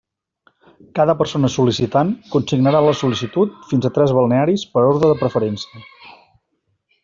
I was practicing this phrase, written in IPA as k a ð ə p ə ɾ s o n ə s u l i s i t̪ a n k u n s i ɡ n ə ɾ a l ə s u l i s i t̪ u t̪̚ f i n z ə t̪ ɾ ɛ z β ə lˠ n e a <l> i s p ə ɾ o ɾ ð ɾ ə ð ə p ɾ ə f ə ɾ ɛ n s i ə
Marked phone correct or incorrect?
incorrect